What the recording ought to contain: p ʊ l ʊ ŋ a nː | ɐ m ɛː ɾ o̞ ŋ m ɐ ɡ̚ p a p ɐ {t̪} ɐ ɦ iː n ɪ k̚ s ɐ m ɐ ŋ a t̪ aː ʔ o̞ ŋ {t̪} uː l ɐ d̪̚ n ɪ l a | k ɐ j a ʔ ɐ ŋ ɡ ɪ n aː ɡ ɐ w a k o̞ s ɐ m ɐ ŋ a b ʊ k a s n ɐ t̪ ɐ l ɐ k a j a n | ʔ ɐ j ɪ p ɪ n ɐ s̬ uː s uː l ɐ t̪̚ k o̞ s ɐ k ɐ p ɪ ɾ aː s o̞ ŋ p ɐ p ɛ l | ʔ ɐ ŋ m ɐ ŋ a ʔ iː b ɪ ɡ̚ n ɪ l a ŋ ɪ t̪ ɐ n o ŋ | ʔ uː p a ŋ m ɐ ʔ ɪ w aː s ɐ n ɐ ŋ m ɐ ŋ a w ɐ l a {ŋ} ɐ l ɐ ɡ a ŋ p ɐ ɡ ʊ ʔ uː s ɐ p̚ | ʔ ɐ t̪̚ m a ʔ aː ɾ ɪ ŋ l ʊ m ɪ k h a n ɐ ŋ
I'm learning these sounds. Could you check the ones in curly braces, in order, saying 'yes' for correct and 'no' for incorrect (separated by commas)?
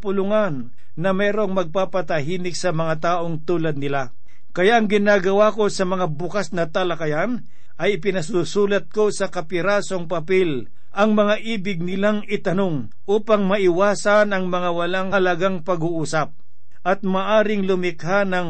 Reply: yes, yes, yes